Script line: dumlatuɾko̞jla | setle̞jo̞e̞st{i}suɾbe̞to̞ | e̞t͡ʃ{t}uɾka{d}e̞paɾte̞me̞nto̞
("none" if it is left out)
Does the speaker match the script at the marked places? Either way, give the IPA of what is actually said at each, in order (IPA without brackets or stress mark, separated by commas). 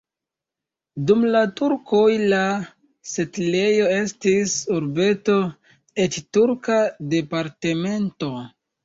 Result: i, t, d